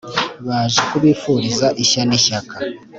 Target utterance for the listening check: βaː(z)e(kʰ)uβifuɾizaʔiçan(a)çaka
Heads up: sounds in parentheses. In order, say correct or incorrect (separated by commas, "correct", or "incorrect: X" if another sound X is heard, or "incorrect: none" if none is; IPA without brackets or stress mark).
incorrect: ʒ, incorrect: k, incorrect: i